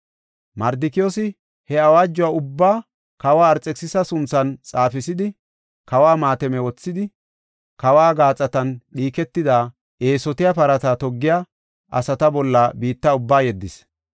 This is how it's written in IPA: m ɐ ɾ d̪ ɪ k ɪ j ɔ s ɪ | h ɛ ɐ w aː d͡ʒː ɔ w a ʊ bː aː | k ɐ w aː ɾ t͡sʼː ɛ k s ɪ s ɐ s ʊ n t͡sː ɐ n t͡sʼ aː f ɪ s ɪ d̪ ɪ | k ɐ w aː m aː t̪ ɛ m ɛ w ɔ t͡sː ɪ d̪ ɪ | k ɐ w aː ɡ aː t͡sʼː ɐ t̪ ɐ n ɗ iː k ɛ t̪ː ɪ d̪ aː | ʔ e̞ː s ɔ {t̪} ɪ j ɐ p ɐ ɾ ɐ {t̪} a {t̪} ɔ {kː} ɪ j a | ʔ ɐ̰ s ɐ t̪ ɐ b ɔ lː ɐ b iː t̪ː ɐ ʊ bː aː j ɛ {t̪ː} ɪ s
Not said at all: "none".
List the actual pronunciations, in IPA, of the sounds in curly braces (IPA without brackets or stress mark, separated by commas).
t̪, t̪, t̪, ɡː, d̪ː